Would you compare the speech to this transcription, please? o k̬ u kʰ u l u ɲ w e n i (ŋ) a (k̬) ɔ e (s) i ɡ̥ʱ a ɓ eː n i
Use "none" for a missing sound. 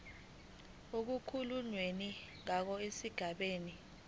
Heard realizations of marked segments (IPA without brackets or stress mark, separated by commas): ŋ, k̬, s